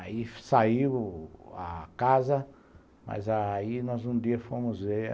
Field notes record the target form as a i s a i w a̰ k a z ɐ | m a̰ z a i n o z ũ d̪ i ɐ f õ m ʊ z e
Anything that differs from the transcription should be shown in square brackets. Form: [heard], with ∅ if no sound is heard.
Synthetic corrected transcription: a i s a i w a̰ k a z ɐ | m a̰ z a i n [ɔ] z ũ d̪ i ɐ f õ m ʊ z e